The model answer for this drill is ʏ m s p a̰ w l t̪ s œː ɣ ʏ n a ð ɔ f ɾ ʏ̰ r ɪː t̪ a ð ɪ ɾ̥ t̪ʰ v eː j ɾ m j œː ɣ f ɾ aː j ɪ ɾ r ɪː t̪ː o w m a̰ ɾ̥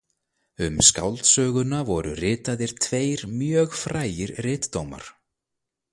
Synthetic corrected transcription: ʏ m s k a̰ w l t̪ s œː ɣ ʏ n a v ɔ ɾ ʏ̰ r ɪː t̪ a ð ɪ ɾ̥ t̪ʰ v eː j ɾ m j œː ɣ f ɾ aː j ɪ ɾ r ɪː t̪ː o w m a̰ ɾ̥